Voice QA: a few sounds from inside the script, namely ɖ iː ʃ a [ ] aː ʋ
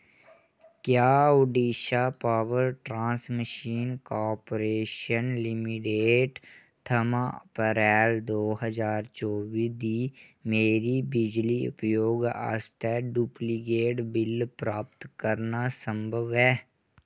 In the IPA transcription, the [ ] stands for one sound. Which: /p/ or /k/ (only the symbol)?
p